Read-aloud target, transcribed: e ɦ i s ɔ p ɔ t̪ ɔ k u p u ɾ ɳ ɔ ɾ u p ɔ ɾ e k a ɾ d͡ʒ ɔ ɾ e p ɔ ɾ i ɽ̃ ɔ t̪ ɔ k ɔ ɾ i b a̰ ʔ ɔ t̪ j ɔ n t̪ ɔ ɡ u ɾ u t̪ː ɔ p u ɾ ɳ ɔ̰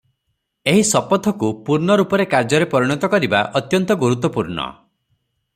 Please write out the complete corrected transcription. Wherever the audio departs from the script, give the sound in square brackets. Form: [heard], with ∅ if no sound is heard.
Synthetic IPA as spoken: e ɦ i s ɔ p ɔ [t̪ʰ] ɔ k u p u ɾ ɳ ɔ ɾ u p ɔ ɾ e k a ɾ d͡ʒ ɔ ɾ e p ɔ ɾ i ɽ̃ ɔ t̪ ɔ k ɔ ɾ i b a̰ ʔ ɔ t̪ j ɔ n t̪ ɔ ɡ u ɾ u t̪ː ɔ p u ɾ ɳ ɔ̰